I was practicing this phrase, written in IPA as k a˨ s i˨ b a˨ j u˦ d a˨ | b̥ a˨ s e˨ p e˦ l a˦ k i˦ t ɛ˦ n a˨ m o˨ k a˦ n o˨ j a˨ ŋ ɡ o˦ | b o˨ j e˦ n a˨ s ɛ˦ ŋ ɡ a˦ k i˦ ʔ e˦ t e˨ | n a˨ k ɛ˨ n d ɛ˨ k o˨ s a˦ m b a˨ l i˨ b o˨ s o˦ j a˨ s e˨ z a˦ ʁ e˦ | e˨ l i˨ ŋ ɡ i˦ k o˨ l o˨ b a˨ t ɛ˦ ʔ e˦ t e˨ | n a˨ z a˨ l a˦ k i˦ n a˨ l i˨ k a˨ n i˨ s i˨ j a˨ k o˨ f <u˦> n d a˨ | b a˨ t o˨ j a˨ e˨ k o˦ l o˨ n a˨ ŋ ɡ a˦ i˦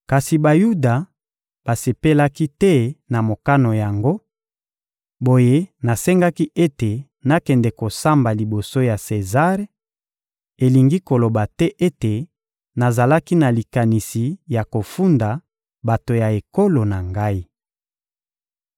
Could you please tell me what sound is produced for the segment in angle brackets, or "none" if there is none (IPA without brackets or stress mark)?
u˦